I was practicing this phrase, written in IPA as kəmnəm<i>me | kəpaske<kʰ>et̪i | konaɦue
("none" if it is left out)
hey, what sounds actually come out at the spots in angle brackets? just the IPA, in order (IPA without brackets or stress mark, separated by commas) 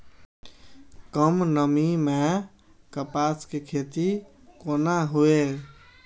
i, kʰ